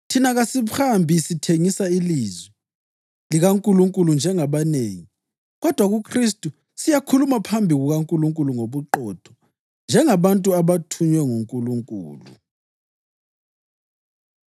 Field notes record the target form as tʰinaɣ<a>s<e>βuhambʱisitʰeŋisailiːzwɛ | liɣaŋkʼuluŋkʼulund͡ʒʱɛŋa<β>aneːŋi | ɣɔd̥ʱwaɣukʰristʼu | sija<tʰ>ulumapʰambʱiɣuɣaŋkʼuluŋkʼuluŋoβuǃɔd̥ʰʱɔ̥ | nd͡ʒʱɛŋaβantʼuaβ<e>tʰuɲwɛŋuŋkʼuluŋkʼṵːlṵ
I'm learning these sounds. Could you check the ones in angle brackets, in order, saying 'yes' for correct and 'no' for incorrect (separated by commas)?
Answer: yes, no, yes, no, no